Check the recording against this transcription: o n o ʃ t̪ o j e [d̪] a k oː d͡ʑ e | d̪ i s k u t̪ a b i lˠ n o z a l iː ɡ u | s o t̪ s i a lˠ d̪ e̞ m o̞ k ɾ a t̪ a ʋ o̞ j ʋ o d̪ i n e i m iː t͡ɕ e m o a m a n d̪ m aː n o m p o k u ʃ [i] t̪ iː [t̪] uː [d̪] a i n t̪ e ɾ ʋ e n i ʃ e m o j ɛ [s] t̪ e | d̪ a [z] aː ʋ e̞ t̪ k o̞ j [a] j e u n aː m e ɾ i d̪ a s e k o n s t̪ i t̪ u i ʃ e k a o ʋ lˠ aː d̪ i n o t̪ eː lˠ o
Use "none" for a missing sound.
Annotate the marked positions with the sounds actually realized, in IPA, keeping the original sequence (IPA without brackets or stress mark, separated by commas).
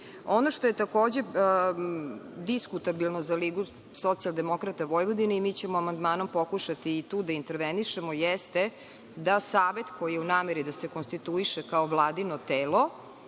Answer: t̪, a, t̪, d̪, s, s, i